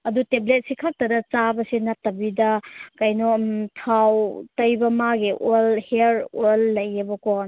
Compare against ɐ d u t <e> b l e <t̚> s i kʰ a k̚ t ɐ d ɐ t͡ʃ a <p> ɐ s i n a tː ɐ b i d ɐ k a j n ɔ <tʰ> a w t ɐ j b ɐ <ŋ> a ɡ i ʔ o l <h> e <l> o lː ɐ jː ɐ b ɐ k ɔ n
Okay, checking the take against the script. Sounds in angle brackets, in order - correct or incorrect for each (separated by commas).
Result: correct, correct, incorrect, correct, incorrect, correct, incorrect